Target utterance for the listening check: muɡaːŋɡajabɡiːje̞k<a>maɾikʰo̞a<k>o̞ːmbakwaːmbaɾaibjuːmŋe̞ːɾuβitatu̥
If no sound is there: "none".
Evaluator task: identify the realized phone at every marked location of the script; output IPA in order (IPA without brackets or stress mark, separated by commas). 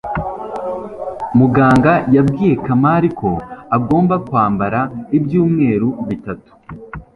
a, ɡ